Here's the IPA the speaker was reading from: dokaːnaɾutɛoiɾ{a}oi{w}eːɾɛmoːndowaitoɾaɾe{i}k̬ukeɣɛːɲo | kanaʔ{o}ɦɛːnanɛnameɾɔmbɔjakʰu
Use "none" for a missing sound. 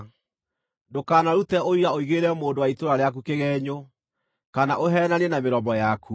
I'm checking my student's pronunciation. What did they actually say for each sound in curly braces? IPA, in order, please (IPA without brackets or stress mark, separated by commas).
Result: a, ɣ, a, o